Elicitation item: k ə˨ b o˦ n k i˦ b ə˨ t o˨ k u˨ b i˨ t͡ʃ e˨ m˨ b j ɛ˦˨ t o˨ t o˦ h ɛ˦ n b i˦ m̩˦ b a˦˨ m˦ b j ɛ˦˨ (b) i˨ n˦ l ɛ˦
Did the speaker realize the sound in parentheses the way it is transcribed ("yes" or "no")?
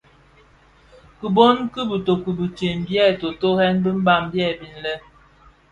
yes